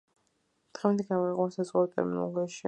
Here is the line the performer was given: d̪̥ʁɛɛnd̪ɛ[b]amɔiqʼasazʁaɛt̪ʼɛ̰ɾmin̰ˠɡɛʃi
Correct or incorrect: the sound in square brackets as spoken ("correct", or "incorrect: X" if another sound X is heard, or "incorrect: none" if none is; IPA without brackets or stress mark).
incorrect: ɡ